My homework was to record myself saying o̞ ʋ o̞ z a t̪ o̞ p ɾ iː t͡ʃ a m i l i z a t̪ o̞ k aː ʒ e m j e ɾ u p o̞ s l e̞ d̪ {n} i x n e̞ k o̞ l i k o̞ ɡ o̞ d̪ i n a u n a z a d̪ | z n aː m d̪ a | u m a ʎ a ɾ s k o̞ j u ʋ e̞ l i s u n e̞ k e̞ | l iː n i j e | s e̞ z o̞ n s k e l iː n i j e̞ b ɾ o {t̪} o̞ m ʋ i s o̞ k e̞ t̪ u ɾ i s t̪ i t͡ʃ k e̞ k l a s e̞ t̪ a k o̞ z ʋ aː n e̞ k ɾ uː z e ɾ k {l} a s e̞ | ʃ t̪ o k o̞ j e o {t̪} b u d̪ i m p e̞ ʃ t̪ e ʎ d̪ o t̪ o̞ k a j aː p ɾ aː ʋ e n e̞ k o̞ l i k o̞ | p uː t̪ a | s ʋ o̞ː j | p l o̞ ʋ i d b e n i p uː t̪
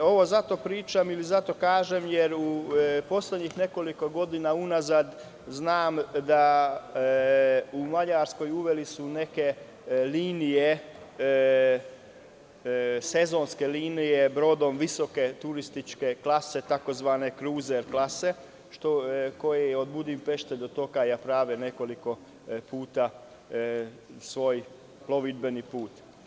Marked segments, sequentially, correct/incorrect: incorrect, incorrect, correct, incorrect

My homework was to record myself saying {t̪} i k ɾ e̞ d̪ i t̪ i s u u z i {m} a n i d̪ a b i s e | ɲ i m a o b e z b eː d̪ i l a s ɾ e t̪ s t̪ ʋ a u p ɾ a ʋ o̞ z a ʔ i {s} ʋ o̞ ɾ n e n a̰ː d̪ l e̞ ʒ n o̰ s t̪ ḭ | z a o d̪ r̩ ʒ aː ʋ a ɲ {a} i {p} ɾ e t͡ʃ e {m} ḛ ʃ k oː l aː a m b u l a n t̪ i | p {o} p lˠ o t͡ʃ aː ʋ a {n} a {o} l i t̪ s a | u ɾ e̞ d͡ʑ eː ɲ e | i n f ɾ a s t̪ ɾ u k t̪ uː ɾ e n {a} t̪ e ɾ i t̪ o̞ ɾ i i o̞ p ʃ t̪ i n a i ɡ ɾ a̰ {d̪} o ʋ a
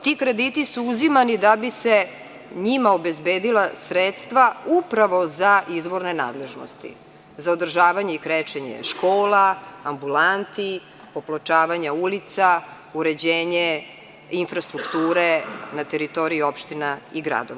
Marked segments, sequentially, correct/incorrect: correct, correct, incorrect, incorrect, incorrect, incorrect, correct, incorrect, incorrect, correct, correct

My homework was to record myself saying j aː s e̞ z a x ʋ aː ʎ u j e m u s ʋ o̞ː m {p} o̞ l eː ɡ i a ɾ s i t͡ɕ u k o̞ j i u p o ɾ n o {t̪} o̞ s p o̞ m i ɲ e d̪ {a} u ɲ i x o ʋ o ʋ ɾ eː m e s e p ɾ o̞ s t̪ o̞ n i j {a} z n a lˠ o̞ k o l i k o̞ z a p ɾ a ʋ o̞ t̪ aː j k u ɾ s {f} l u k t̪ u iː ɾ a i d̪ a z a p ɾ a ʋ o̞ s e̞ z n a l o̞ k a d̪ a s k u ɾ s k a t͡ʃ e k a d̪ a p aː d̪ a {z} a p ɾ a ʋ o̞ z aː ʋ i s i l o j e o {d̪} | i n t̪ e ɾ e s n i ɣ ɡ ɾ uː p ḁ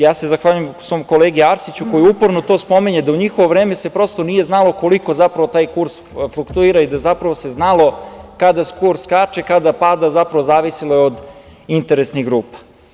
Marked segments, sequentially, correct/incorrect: incorrect, correct, correct, incorrect, correct, correct, correct

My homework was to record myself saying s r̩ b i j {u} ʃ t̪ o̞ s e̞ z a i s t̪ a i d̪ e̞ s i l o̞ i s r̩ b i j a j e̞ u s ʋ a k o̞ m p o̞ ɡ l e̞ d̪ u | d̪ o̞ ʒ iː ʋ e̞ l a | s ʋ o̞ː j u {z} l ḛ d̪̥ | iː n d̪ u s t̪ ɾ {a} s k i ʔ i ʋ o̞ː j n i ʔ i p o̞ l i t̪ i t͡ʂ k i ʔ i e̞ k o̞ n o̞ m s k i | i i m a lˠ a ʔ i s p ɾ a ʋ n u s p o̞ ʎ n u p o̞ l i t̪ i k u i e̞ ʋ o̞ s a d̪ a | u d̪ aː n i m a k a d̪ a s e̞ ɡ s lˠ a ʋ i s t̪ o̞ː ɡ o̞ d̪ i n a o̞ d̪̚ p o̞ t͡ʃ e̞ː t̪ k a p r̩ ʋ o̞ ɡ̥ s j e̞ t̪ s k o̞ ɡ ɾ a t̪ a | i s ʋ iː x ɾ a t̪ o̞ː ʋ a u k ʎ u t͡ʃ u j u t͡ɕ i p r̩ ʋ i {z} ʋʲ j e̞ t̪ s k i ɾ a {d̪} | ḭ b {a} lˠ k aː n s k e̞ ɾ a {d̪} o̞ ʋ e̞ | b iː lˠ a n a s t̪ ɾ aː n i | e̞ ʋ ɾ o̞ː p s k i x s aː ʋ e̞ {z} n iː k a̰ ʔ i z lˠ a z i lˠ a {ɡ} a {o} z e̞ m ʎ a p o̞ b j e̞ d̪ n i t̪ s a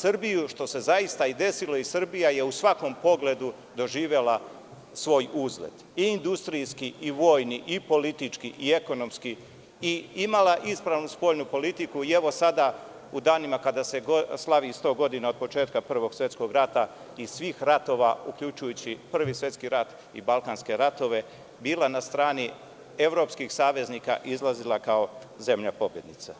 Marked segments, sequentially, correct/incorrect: correct, correct, incorrect, incorrect, incorrect, correct, incorrect, correct, incorrect, correct

